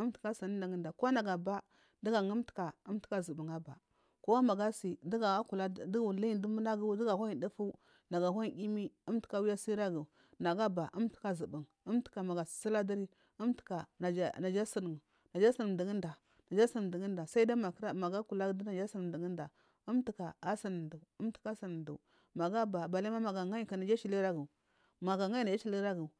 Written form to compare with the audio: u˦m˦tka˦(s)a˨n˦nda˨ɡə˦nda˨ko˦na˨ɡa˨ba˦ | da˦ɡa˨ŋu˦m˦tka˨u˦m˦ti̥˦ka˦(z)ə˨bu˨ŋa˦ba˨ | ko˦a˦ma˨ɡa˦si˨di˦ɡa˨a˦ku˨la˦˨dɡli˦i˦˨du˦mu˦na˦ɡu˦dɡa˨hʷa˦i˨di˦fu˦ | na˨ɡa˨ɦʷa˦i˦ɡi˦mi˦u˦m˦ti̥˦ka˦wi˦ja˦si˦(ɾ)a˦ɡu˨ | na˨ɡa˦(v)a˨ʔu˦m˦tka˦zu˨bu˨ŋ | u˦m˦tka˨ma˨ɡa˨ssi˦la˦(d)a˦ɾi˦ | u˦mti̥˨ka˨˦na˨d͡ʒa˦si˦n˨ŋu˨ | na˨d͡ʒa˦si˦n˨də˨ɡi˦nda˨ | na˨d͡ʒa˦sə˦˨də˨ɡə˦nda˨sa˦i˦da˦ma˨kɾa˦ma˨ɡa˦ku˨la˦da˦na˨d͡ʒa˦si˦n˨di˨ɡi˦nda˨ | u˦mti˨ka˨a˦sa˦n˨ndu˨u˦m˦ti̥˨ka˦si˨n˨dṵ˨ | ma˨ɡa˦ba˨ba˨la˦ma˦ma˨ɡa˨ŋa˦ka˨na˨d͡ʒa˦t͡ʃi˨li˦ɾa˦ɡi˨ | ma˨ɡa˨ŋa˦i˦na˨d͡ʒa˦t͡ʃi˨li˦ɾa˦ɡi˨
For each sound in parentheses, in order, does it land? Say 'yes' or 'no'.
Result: yes, yes, yes, no, yes

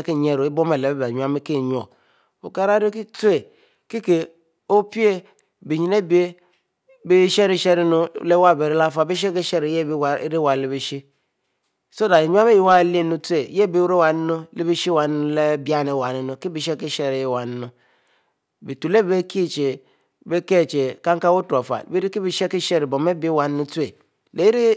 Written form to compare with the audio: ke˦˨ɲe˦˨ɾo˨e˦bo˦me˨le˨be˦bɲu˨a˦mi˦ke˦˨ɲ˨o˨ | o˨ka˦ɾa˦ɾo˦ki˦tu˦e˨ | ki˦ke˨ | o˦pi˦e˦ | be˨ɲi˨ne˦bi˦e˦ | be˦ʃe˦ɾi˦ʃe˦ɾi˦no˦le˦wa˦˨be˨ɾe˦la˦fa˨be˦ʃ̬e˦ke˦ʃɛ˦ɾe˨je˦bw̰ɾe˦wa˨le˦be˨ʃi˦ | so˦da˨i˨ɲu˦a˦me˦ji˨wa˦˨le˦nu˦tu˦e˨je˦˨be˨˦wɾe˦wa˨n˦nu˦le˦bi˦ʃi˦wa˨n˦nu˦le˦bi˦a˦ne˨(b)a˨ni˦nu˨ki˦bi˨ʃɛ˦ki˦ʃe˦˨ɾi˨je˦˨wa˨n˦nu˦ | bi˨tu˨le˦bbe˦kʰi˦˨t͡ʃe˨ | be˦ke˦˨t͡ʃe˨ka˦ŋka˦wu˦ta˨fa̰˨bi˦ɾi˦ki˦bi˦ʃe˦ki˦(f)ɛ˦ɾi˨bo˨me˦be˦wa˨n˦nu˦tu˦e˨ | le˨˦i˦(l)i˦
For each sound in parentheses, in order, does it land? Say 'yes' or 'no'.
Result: no, no, no

